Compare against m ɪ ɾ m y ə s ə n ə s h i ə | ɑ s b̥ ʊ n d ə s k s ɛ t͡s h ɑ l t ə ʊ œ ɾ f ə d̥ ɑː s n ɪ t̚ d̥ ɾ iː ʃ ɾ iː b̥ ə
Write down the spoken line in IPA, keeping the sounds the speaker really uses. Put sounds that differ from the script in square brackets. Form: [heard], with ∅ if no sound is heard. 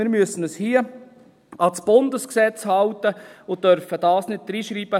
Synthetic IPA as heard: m ɪ ɾ m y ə s ə n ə s h i ə | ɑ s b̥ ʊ n d ə s k s ɛ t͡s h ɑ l t ə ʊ œ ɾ f ə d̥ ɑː s n ɪ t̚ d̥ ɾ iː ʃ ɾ iː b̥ ə